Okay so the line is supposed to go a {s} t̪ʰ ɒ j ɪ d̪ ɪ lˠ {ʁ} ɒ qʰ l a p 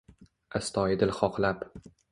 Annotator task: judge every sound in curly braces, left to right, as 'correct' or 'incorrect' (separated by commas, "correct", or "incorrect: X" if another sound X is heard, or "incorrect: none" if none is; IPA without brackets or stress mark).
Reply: correct, incorrect: χ